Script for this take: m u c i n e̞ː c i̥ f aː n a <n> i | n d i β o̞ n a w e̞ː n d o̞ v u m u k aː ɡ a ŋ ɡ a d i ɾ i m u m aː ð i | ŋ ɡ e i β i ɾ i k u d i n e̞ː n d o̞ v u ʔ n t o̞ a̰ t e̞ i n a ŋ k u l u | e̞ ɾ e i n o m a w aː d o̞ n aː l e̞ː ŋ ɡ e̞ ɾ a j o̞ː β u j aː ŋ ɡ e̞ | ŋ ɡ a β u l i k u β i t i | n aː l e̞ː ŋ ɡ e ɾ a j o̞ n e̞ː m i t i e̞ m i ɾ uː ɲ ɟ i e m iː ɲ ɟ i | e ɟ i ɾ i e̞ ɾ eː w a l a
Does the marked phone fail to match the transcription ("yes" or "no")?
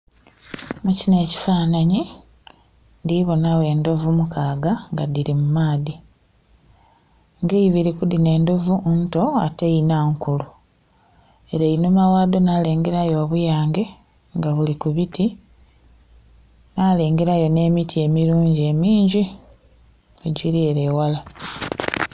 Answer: yes